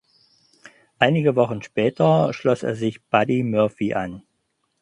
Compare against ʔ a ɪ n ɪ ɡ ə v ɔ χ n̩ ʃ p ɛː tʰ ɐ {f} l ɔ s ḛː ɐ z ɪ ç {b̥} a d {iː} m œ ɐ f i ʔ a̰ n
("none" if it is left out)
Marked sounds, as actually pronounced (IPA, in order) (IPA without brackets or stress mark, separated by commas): ʃ, b̥, i